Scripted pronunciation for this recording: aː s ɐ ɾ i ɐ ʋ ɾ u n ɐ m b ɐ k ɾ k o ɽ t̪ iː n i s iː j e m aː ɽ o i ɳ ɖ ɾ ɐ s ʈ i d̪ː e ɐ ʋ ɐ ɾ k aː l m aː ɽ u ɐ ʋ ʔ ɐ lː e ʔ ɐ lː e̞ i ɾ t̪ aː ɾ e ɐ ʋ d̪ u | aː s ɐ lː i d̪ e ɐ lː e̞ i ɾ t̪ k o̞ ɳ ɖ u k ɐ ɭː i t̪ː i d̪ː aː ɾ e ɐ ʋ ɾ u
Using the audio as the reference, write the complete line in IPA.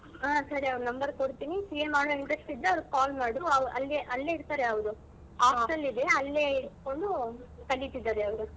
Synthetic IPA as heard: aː s ɐ ɾ i ɐ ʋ ɾ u n ɐ m b ɐ ɾ k o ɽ t̪ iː n i s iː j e m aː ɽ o i ɳ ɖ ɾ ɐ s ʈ i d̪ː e ɐ ʋ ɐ ɾ k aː l m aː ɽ u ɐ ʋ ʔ ɐ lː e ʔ ɐ lː e̞ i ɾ t̪ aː ɾ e ɐ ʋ d̪ u | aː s ɐ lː i d̪ e ɐ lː e̞ i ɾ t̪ k o̞ ɳ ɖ u k ɐ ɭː i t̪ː i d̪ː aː ɾ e ɐ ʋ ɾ u